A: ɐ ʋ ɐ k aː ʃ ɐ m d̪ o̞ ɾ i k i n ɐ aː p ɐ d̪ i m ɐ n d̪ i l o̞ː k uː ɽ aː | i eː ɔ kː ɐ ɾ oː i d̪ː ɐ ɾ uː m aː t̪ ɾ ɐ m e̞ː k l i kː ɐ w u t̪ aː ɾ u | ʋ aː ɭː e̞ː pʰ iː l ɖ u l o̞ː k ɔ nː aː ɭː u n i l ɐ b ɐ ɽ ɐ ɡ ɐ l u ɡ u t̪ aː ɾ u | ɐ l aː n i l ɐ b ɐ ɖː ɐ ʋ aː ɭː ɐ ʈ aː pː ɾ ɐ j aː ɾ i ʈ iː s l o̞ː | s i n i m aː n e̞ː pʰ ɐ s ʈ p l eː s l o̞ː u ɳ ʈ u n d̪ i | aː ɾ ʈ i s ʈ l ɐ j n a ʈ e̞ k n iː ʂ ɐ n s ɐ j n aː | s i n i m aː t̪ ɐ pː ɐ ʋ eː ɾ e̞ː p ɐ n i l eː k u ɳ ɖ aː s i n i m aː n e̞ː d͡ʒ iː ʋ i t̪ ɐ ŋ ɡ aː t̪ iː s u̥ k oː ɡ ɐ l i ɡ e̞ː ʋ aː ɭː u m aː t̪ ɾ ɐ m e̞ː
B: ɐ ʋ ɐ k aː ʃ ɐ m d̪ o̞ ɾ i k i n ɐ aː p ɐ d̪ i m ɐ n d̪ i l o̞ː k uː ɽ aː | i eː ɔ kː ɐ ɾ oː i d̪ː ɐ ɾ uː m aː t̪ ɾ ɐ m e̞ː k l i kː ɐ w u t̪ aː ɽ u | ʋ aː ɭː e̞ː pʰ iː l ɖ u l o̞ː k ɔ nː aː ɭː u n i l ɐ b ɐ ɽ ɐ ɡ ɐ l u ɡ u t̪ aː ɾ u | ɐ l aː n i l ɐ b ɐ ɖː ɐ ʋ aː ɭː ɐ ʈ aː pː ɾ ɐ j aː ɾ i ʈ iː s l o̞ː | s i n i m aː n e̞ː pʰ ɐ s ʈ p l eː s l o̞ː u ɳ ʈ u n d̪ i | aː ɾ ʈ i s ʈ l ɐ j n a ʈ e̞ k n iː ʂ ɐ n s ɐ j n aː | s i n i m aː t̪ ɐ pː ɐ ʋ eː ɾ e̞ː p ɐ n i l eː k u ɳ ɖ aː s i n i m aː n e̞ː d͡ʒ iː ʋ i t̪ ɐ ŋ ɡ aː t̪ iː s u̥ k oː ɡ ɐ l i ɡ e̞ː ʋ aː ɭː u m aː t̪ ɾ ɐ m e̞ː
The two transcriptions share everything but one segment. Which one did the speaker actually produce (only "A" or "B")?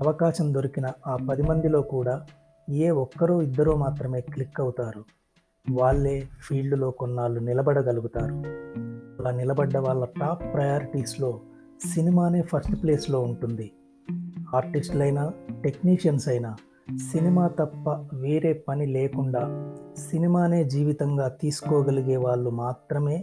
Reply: A